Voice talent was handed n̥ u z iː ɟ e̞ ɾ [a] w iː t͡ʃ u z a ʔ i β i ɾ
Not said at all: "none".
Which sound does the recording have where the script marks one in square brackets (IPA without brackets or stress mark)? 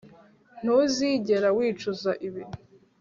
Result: a